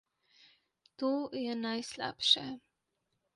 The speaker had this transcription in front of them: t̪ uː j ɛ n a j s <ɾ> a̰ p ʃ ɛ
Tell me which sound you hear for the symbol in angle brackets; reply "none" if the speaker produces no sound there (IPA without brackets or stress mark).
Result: l